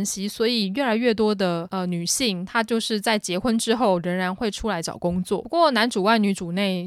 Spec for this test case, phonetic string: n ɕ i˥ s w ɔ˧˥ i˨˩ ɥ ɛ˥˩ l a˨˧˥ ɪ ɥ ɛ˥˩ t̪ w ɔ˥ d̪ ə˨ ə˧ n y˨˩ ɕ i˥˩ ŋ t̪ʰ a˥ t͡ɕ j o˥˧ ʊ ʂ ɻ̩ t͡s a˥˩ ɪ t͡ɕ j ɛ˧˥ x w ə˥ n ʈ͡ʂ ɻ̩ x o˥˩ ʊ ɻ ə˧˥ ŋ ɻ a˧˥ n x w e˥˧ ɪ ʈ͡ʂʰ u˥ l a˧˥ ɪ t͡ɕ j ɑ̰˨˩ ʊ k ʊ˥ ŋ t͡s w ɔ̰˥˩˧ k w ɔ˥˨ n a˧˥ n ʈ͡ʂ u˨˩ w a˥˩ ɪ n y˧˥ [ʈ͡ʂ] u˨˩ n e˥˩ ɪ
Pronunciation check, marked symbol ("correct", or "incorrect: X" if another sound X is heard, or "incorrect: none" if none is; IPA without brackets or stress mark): correct